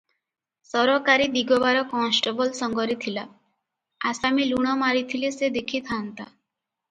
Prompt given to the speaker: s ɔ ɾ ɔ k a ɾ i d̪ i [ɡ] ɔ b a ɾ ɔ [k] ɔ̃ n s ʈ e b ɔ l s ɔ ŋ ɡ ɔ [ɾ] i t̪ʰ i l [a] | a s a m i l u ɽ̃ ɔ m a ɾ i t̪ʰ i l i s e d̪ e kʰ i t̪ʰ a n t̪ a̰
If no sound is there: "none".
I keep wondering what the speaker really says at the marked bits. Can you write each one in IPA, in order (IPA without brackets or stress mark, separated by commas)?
ɡ, k, ɾ, a